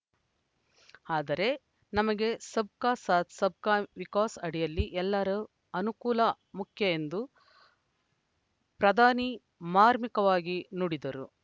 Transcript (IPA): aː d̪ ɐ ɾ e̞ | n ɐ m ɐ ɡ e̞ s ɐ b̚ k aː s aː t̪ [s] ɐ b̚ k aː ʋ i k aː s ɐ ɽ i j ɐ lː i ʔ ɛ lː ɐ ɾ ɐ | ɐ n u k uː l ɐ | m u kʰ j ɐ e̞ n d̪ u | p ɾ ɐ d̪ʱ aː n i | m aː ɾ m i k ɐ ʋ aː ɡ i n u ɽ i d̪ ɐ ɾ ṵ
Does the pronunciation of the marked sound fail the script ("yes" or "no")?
no